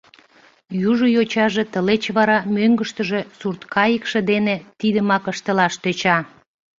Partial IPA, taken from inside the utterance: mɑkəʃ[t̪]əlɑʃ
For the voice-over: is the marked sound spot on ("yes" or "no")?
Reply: yes